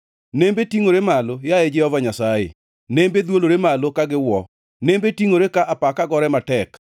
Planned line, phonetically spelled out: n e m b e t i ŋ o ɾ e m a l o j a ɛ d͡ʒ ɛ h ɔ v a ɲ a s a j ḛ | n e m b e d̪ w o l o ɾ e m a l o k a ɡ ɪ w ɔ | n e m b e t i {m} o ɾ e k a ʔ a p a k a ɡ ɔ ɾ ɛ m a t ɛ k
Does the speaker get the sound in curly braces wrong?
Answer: yes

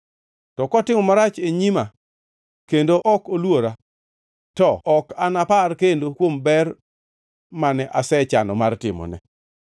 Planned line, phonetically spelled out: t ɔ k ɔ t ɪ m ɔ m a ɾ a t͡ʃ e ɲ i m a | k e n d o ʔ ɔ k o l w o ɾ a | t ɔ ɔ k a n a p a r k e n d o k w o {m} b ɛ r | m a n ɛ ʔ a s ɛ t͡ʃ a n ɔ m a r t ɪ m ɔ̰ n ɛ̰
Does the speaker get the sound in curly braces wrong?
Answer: no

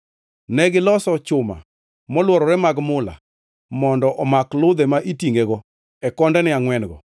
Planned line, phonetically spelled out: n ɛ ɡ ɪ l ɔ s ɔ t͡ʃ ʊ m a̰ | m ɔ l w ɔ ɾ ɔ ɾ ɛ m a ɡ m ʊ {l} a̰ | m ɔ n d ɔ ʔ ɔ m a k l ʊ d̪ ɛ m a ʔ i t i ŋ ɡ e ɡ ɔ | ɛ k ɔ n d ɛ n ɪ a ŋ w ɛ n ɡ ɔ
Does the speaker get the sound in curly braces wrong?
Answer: no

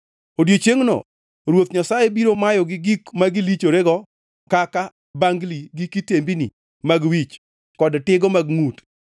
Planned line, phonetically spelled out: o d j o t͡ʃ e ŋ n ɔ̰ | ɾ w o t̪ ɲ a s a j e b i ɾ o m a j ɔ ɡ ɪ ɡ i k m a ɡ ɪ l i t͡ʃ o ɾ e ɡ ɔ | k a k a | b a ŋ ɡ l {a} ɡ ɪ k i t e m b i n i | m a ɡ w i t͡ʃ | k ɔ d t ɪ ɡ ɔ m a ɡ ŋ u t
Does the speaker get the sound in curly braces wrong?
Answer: yes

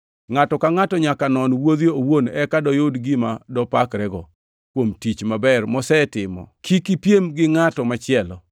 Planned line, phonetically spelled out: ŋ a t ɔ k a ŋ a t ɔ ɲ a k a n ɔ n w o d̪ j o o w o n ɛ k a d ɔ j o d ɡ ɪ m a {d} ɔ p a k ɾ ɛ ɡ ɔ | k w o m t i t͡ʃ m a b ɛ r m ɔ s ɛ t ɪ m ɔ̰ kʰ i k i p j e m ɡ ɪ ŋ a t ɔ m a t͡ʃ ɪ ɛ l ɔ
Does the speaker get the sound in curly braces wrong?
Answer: no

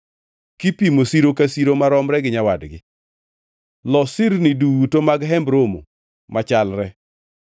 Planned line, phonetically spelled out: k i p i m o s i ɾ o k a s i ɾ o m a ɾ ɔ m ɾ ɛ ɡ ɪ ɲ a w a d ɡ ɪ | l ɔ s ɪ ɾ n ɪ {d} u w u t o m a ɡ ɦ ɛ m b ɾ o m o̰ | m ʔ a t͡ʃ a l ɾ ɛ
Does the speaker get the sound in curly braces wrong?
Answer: no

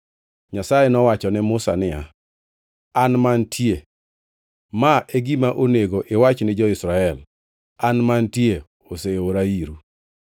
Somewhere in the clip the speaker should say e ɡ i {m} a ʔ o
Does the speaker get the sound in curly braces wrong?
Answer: no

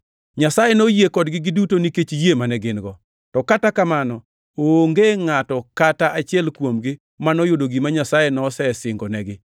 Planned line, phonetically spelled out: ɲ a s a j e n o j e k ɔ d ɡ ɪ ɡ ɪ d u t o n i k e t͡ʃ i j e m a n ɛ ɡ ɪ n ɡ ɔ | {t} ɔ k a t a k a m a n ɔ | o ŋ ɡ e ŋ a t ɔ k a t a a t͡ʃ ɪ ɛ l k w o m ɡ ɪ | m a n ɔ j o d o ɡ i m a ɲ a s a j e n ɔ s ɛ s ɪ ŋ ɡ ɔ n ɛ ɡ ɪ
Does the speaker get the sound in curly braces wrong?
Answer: no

